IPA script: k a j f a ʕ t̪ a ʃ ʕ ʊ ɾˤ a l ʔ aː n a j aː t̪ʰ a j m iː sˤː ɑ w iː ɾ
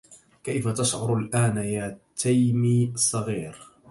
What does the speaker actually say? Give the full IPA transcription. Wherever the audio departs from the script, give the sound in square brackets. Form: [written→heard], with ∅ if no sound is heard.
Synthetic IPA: k a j f a [ʕ→∅] t̪ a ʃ ʕ ʊ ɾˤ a l ʔ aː n a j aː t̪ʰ a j m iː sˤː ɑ [w→ɣ] iː ɾ